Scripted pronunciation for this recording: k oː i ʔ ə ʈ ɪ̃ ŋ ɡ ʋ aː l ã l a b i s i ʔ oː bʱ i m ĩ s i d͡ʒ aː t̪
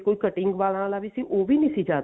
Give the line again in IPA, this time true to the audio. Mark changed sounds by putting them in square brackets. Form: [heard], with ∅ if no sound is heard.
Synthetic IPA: k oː i [k] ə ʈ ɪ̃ ŋ ɡ ʋ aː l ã l a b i s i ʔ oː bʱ i [n] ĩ s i d͡ʒ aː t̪